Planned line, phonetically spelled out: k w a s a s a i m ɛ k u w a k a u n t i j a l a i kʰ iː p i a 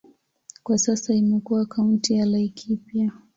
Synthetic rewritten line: k w a s a s a i m ɛ k u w a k a u n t i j a l a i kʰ i p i a